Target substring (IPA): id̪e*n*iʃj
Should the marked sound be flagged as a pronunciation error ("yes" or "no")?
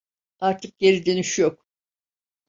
no